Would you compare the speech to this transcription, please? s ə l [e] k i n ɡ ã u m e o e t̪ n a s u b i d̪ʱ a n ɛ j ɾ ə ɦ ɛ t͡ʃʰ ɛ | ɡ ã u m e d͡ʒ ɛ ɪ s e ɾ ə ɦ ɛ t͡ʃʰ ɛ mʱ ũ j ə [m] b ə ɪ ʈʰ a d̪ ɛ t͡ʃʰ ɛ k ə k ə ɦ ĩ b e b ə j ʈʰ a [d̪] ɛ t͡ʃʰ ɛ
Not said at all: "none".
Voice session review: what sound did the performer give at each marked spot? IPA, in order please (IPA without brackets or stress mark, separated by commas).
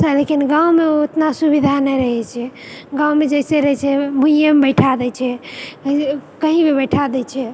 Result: e, m, d̪